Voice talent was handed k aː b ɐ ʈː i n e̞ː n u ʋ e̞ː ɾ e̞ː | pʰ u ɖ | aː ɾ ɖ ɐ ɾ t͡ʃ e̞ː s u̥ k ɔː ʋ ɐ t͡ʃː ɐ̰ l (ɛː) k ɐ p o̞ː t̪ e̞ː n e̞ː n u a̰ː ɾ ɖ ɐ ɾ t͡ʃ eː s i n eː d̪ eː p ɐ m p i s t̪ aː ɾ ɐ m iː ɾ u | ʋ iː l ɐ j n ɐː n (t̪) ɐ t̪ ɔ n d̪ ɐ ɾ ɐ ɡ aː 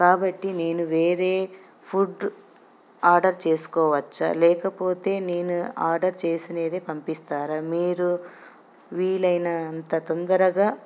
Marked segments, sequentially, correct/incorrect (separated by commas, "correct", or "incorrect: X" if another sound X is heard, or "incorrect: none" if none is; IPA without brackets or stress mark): correct, correct